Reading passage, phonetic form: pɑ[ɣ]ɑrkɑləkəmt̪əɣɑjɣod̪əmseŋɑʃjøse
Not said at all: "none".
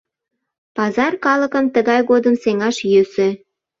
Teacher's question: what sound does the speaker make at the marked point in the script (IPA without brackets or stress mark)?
z